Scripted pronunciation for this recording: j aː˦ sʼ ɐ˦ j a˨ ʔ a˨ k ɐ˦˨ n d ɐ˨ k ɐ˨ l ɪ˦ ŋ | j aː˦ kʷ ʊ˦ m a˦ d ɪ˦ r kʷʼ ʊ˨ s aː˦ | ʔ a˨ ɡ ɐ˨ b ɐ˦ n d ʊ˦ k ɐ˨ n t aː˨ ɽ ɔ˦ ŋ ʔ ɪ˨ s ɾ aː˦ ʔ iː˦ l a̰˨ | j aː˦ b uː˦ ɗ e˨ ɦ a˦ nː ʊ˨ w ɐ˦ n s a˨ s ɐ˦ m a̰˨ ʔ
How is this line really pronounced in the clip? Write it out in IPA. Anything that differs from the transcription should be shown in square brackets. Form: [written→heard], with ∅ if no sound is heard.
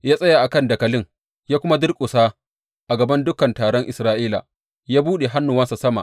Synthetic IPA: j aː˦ sʼ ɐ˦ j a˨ ʔ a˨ k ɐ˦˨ n d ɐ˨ k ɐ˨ l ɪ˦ ŋ | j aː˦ kʷ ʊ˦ m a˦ d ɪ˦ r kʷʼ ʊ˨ s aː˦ | ʔ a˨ ɡ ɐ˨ b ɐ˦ n d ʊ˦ k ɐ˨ n t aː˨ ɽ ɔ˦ ŋ ʔ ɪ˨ s ɾ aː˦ ʔ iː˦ l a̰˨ | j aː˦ b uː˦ ɗ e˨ ɦ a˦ nː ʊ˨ w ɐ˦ n s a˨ s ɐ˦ m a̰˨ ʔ